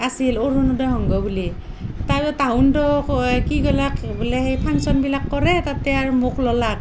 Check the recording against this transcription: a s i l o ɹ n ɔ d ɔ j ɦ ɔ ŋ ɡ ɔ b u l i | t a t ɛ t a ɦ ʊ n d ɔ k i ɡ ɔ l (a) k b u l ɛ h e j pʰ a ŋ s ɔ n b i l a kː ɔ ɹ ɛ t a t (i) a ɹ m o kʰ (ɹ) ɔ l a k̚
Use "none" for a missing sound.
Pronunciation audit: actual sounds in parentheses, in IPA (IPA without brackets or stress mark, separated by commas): a, ɛ, l